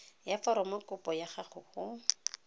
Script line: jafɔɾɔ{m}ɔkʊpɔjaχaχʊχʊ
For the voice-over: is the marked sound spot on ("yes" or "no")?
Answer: yes